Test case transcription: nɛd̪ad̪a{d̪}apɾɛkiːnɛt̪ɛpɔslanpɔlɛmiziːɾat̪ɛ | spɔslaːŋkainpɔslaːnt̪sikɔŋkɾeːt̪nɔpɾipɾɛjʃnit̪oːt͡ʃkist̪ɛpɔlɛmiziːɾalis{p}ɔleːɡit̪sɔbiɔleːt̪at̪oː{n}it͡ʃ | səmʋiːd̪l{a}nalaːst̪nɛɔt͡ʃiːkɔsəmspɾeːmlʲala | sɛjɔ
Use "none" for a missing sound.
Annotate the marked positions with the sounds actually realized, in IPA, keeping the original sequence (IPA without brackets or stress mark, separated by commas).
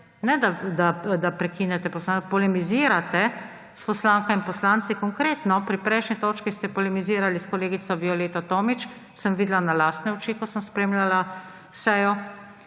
d̪, k, m, a